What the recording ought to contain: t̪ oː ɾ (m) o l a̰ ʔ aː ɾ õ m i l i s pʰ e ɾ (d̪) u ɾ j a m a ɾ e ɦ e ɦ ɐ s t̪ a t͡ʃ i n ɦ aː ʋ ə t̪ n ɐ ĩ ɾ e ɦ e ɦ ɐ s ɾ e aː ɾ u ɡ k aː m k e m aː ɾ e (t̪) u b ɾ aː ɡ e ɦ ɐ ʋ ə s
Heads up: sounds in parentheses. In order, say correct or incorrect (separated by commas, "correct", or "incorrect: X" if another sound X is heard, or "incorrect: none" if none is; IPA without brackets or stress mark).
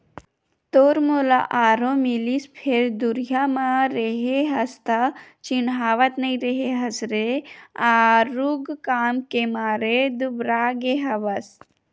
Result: correct, correct, incorrect: d̪